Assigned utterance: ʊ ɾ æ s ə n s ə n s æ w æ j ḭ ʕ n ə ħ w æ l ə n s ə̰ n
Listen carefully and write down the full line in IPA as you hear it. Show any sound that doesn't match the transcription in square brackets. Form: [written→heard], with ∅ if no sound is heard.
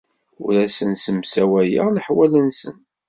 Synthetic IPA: ʊ ɾ æ s ə n s ə [n→m] s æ w æ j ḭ [ʕ→ʁ] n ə ħ w æ l ə n s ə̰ n